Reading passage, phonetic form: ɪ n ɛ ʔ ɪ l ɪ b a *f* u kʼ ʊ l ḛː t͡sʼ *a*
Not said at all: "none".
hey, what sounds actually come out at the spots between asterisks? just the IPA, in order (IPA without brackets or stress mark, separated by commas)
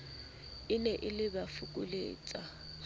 f, a